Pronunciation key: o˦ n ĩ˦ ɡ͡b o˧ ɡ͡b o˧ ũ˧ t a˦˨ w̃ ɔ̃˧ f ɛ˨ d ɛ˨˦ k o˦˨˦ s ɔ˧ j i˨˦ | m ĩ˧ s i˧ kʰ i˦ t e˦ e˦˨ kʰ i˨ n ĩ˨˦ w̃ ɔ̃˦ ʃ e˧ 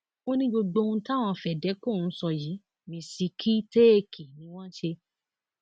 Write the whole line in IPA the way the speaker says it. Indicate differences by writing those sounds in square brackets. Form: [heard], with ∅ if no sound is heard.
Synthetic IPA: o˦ n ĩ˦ ɡ͡b o˧ ɡ͡b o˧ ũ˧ t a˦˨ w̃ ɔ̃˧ f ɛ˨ d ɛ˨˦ k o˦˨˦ s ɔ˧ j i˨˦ | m ĩ˧ s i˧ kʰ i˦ t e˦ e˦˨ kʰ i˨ n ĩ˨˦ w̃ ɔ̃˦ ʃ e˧